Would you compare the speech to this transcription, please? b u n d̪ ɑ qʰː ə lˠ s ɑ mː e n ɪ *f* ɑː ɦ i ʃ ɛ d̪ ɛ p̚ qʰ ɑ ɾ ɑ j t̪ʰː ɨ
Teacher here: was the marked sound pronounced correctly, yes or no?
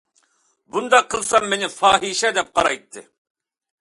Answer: yes